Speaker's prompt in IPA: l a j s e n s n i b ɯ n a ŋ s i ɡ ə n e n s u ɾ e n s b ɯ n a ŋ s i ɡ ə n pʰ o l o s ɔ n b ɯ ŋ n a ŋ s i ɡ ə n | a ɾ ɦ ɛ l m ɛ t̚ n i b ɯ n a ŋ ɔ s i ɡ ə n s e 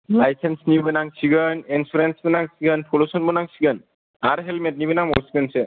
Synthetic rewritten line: l a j s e n s n i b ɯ n a ŋ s i ɡ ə n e n s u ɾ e n s b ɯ n a ŋ s i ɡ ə n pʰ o l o s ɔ n b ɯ n a ŋ s i ɡ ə n | a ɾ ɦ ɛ l m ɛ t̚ n i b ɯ n a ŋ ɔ s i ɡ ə n s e